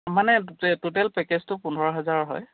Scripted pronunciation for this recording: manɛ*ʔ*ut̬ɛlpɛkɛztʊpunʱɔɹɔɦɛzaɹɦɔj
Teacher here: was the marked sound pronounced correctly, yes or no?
no